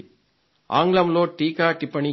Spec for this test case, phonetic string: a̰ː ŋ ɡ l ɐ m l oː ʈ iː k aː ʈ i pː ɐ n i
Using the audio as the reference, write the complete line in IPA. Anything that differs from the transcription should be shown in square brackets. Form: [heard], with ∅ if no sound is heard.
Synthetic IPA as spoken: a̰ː ŋ ɡ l ɐ m l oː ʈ iː k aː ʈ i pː ɐ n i